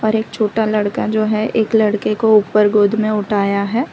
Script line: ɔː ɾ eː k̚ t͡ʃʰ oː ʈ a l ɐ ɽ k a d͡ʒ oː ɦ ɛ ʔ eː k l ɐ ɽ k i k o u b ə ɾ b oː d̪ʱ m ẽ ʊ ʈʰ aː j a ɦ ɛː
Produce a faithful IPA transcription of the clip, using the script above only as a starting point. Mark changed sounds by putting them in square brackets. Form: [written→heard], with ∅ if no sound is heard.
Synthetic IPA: ɔː ɾ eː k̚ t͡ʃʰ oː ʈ a l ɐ ɽ k a d͡ʒ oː ɦ ɛ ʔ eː k l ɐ ɽ k [i→e] k o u [b→p] ə ɾ [b→ɡ] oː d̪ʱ m ẽ ʊ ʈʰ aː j a ɦ ɛː